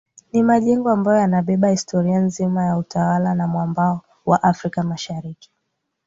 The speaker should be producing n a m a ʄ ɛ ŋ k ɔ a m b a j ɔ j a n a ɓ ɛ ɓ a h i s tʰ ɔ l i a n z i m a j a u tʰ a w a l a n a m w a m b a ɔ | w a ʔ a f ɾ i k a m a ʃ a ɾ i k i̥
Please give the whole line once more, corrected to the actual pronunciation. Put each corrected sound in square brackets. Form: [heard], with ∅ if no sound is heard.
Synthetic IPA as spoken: n [i] m a ʄ ɛ ŋ [ɡ] ɔ a m b a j ɔ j a n a ɓ ɛ ɓ a h i s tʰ ɔ [ɾ] i a n z i m a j a u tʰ a w a l a n a m w a m b a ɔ | w a ʔ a f ɾ i k a m a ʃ a ɾ i k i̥